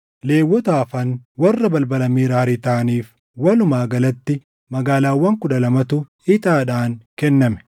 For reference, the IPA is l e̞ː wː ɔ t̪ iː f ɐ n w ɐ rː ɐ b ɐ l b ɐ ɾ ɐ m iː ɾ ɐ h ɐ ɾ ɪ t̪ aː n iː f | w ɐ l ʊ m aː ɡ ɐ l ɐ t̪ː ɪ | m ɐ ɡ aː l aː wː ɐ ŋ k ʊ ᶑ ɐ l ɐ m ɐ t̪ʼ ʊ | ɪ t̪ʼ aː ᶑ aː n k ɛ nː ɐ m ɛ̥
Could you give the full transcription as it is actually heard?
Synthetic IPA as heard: l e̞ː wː ɔ t̪ aː f ɐ n w ɐ rː ɐ b ɐ l b ɐ l ɐ m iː ɾ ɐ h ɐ ɾ ɪ t̪ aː n iː f | w ɐ l ʊ m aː ɡ ɐ l ɐ t̪ː ɪ | m ɐ ɡ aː l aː wː ɐ ŋ k ʊ ᶑ ɐ l ɐ m ɐ t̪ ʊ | ɪ t̪ʼ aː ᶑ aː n k ɛ nː ɐ m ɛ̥